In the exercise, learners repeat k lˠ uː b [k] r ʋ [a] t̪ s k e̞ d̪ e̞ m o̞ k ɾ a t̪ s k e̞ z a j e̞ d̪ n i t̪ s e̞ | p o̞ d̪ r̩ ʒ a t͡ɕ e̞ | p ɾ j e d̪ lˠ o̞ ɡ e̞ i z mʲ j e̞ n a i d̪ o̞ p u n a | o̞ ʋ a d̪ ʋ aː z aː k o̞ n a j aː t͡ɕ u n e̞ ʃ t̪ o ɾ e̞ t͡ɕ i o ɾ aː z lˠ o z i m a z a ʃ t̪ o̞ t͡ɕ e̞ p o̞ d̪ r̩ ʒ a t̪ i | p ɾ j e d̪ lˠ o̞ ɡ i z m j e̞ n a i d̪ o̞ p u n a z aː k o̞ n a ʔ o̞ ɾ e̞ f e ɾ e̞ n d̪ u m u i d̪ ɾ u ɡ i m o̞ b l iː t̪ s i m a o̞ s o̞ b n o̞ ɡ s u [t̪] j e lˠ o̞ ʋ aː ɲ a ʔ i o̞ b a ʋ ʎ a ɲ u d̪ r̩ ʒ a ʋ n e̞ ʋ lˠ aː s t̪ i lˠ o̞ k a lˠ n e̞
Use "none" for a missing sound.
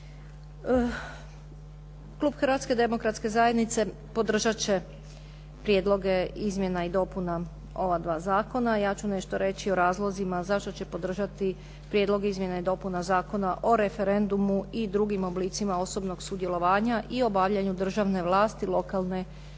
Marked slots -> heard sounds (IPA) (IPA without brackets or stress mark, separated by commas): x, a, d̪